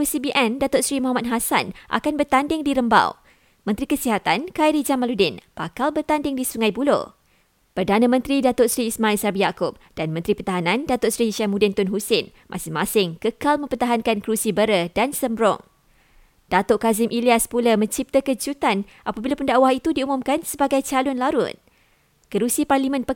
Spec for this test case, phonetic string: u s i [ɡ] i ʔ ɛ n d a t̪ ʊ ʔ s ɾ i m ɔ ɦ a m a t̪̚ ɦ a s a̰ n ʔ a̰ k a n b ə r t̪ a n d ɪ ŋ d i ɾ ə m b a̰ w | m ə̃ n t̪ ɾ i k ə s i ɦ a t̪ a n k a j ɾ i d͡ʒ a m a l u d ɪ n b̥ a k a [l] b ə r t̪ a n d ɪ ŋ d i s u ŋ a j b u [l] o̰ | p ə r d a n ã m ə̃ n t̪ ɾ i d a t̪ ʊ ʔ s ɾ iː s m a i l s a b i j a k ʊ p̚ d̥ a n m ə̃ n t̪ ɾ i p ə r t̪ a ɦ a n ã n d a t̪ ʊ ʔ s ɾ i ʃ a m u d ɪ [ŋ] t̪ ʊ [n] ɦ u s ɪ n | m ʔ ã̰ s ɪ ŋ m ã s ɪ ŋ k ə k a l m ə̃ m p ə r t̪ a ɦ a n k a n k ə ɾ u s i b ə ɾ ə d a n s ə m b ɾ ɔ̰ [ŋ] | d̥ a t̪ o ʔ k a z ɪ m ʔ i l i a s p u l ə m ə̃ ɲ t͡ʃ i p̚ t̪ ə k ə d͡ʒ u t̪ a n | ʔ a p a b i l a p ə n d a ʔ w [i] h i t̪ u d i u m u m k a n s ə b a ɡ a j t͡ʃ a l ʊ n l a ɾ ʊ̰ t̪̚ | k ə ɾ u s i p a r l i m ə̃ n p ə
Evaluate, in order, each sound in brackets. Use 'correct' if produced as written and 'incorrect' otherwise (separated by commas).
incorrect, correct, correct, incorrect, correct, correct, incorrect